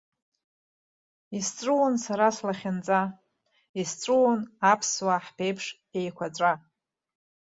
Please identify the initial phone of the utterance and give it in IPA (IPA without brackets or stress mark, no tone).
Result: i